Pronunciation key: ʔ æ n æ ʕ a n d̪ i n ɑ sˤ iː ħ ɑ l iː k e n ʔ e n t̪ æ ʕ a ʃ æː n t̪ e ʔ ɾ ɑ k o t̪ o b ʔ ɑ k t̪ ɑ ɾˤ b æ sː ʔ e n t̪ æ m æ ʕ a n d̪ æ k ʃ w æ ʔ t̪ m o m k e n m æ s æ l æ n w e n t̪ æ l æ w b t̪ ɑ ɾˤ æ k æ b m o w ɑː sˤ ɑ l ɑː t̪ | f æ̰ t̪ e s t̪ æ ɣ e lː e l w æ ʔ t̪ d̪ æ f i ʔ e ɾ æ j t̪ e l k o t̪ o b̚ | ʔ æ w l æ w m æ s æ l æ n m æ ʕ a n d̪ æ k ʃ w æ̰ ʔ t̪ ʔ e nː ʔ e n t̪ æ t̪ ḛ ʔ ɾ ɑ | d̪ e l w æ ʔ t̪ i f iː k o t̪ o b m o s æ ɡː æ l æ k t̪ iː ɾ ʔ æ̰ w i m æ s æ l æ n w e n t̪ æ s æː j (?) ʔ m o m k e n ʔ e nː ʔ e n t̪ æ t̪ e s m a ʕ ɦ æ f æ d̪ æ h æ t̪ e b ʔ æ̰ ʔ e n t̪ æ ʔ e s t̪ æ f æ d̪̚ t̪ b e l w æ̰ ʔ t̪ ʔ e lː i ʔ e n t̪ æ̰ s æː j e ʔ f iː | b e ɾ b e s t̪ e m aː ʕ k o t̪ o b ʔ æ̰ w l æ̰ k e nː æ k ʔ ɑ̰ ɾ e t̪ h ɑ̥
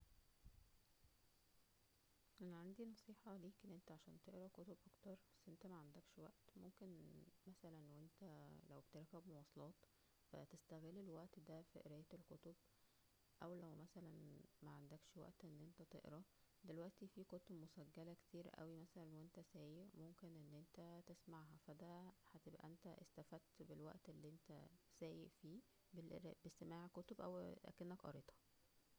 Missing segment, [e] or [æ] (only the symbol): e